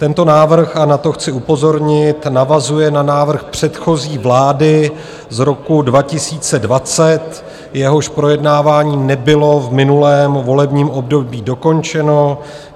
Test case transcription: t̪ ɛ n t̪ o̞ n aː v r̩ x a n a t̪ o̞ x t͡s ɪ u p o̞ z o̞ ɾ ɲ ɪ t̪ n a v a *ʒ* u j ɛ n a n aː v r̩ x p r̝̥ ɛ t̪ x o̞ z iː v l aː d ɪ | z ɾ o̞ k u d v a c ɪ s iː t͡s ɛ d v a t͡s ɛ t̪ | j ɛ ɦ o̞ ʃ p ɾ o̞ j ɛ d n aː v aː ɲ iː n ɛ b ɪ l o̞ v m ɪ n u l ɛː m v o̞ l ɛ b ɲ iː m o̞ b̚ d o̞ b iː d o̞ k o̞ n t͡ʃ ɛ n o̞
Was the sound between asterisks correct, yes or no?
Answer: no